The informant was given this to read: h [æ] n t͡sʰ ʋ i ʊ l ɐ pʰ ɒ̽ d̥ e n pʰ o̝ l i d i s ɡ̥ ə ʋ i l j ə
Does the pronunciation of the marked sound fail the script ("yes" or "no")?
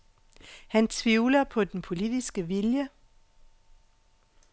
no